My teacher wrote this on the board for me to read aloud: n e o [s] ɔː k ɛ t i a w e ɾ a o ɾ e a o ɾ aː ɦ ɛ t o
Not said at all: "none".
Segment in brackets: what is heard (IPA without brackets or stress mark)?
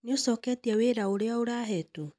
s